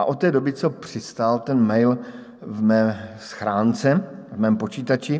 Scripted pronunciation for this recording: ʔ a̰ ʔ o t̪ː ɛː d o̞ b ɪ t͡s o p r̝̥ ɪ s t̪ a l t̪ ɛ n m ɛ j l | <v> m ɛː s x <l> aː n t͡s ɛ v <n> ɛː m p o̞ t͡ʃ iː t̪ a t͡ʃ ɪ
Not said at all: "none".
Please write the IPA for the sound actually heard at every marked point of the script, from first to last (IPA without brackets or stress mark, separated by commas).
v, ɾ, m